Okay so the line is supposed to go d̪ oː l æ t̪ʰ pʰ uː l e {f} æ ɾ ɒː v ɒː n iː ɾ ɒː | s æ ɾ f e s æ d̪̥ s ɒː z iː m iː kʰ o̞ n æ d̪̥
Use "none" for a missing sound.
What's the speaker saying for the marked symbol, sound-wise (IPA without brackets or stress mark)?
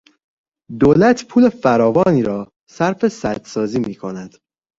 f